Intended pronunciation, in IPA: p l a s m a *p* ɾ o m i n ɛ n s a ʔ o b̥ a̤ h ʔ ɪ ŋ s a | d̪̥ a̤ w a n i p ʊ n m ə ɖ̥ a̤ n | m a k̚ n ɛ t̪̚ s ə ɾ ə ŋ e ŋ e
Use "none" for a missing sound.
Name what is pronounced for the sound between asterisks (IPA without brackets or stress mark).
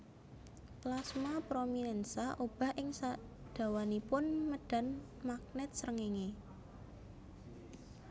p